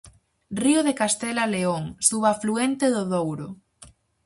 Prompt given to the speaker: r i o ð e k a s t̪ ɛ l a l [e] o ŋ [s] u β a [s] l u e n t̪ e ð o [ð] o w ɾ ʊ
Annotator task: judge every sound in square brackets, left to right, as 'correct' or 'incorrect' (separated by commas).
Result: correct, correct, incorrect, correct